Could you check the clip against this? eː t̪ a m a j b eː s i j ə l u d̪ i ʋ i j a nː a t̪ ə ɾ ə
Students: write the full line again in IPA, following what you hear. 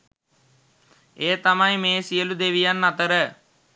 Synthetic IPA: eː t̪ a m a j m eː s i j ə l u d̪ e ʋ i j a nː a t̪ ə ɾ ə